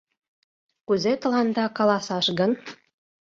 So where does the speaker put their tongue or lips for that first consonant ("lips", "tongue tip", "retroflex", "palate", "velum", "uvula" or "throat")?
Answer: velum